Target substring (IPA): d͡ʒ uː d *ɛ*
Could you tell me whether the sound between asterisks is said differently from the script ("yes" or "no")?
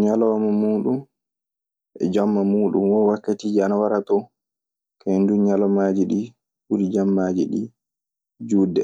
no